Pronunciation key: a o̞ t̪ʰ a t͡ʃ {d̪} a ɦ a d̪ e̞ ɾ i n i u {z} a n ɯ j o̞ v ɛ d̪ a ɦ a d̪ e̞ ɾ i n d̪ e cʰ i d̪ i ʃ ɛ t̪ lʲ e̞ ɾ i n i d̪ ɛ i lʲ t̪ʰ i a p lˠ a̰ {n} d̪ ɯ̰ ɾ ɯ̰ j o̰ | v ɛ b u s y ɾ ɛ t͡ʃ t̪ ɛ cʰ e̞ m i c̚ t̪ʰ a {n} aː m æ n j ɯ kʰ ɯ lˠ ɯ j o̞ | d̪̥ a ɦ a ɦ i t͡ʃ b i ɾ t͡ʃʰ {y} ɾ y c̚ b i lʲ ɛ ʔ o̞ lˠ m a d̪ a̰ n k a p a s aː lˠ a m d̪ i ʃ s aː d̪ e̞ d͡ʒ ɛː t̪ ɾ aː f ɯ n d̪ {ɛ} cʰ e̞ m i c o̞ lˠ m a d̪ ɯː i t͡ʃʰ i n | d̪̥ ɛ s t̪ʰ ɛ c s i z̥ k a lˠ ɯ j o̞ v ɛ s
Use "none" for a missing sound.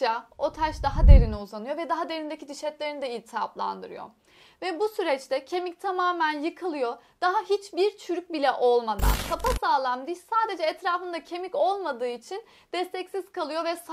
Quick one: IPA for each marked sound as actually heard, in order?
d̪, z, n, m, y, a

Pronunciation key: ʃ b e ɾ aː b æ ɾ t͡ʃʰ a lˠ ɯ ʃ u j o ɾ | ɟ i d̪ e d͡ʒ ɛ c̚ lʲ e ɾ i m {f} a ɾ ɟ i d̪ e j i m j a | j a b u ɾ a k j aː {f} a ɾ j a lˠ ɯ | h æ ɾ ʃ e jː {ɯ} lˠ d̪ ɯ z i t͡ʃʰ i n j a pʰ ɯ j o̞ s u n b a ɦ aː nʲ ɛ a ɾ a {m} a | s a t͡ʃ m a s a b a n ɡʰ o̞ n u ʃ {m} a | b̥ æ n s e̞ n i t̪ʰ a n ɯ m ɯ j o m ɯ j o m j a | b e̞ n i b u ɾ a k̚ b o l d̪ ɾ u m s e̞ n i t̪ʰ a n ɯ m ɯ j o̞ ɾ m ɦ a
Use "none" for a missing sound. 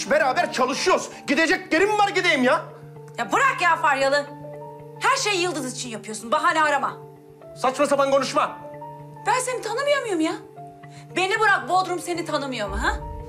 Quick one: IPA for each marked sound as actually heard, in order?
v, f, ɯ, m, m

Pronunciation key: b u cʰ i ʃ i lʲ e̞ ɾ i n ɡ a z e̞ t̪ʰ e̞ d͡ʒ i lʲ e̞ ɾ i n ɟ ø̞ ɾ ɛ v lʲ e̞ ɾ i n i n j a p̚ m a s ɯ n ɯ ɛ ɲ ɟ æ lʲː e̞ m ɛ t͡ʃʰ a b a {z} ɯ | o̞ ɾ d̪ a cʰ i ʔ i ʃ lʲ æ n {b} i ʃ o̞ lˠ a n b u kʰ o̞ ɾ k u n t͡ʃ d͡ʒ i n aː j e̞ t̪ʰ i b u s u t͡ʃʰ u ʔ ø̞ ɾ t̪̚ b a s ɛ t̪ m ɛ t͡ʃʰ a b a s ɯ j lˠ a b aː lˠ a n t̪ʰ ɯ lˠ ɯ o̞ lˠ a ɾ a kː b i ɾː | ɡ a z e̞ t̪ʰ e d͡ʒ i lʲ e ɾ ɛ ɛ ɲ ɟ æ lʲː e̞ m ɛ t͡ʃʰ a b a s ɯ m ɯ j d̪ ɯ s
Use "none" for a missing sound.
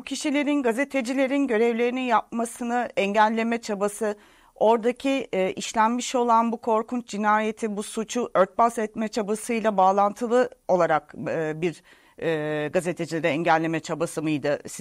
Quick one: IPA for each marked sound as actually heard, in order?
s, m

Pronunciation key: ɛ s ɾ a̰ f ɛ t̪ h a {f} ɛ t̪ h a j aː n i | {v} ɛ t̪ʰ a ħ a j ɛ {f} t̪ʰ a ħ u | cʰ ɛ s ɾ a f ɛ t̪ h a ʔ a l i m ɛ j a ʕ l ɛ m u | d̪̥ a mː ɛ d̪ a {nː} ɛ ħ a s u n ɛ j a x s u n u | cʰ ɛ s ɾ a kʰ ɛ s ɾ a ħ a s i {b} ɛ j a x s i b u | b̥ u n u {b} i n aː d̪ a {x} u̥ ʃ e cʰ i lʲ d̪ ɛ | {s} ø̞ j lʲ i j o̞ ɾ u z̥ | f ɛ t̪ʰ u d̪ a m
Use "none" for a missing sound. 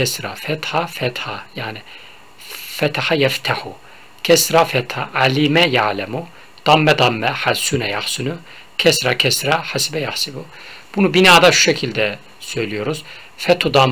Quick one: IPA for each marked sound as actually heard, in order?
f, f, f, mː, b, b, ʃ, s

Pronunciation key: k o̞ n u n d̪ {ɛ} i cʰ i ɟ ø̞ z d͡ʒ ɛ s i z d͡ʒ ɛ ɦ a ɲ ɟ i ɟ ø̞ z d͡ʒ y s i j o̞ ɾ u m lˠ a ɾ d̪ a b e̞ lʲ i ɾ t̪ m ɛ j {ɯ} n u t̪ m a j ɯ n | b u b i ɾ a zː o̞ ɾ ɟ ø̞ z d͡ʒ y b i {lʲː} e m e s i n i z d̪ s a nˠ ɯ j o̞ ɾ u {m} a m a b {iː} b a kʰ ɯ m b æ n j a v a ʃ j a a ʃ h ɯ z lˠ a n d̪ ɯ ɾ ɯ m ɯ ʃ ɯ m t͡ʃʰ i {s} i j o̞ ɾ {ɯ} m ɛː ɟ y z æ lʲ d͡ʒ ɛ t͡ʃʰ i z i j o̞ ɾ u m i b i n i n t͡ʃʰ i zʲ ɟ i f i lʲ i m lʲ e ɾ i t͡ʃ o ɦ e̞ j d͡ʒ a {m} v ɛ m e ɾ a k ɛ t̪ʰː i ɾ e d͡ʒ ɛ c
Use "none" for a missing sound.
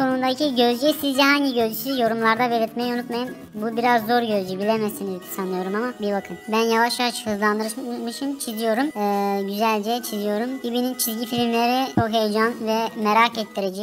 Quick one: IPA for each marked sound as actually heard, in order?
a, u, lʲ, m, i, z, u, n

